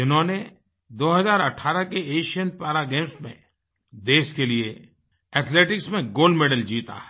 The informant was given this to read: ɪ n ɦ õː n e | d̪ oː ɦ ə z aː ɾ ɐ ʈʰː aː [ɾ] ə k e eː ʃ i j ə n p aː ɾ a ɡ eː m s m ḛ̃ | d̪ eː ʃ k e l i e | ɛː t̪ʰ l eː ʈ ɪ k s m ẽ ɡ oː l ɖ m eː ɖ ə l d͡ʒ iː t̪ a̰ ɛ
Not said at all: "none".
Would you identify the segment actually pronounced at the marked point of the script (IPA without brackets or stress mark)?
ɾ